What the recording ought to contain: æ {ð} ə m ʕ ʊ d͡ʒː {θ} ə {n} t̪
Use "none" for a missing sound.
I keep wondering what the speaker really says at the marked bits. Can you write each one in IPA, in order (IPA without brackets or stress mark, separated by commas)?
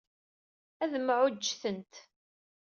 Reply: ð, θ, n